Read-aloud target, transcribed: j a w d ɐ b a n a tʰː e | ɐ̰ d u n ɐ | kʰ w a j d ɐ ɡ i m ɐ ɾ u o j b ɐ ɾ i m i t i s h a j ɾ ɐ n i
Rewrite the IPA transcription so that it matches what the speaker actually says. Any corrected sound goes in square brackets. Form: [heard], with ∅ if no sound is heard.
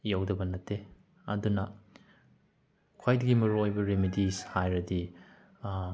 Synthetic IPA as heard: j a w d ɐ b [ɐ] n [ɐ] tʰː e | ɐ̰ d u n ɐ | kʰ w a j d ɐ ɡ i m ɐ ɾ u o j b ɐ ɾ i m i [d] i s h a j ɾ ɐ [d] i